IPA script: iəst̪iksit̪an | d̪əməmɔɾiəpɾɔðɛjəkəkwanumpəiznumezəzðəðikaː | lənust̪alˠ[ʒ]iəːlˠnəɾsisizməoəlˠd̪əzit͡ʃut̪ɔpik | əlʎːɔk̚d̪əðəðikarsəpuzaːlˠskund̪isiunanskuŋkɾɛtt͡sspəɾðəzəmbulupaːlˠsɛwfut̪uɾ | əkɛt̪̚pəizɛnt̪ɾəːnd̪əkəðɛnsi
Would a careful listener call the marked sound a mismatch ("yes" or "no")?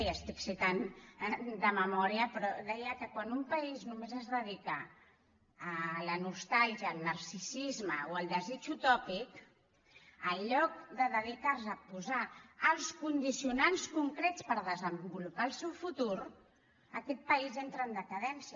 no